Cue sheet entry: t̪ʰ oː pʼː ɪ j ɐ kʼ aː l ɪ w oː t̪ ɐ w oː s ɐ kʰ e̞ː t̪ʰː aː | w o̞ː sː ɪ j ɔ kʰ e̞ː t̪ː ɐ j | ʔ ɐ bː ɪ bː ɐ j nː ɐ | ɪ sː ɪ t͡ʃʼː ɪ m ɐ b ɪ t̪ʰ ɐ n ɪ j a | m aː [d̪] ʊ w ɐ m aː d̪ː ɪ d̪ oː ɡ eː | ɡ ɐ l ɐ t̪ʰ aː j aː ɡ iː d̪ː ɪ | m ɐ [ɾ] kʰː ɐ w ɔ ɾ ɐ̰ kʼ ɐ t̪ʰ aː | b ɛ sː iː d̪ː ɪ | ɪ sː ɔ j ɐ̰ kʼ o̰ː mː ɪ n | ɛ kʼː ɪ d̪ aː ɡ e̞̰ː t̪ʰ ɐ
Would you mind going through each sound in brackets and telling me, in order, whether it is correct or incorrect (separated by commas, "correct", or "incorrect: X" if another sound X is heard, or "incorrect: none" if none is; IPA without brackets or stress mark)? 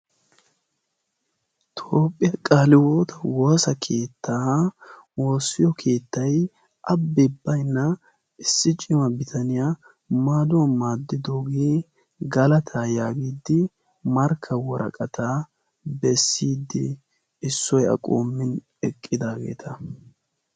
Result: correct, correct